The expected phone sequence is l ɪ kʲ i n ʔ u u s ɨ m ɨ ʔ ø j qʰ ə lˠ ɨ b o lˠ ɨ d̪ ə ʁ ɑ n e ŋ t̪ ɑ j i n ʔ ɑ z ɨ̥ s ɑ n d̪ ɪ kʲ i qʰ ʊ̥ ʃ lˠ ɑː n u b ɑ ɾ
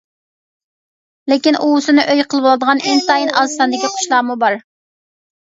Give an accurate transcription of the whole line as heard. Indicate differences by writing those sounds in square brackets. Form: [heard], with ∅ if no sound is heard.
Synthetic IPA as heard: l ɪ kʲ i n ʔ u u s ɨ [n] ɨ ʔ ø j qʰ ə lˠ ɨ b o lˠ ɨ d̪ ə ʁ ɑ n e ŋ t̪ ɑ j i n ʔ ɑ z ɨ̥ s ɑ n d̪ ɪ kʲ i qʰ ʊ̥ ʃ lˠ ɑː [m] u b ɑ ɾ